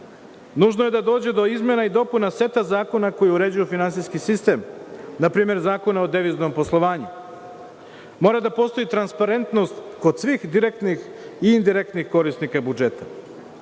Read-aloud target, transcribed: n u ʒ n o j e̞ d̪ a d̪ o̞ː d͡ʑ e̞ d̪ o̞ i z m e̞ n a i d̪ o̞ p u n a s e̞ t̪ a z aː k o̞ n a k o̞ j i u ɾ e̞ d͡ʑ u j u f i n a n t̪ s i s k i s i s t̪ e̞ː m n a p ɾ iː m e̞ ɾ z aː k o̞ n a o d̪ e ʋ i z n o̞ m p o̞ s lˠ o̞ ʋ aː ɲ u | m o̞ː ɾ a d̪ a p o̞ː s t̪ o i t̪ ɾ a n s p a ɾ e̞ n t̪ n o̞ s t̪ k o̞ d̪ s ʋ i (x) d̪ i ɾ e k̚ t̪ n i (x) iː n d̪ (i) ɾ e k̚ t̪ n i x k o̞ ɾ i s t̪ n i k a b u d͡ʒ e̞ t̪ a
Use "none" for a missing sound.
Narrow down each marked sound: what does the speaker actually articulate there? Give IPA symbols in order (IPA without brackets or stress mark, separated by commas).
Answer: x, x, i